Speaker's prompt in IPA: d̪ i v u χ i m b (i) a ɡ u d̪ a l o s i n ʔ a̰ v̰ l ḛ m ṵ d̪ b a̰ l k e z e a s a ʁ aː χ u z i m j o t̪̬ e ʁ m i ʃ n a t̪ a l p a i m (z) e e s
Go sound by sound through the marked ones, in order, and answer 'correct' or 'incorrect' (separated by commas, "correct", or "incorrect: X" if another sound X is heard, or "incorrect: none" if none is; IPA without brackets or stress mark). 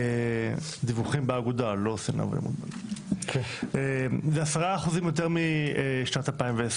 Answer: incorrect: e, incorrect: v